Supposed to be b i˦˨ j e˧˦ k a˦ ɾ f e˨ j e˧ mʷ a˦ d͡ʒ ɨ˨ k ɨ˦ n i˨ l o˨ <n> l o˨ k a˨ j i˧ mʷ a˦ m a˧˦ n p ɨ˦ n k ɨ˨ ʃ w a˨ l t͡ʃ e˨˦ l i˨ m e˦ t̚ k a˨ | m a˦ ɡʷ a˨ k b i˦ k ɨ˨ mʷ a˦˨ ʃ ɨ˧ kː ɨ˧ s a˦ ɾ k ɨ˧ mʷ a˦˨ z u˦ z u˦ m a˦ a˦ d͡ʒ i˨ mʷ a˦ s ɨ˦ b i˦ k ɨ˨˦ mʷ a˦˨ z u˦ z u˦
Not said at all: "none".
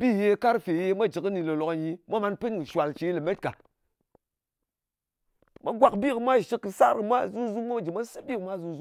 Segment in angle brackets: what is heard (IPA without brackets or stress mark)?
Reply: none